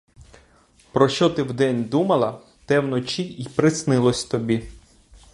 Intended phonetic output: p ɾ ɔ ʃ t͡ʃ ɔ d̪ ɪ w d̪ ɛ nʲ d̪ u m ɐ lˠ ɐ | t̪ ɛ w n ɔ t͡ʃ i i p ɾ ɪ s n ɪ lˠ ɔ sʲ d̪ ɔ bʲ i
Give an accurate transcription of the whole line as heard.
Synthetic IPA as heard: p ɾ ɔ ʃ t͡ʃ ɔ t̪ ɪ w d̪ ɛ nʲ d̪ u m ɐ lˠ ɐ | t̪ ɛ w n ɔ t͡ʃ i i p ɾ ɪ s n ɪ lˠ ɔ sʲ t̪ ɔ bʲ i